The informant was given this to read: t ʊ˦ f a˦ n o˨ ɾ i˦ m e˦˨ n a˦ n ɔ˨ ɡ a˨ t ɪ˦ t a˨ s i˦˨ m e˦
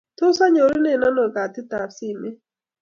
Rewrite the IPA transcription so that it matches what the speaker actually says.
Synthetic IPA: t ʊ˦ s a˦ ɲ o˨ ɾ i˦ n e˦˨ n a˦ n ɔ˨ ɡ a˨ t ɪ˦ t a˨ s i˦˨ m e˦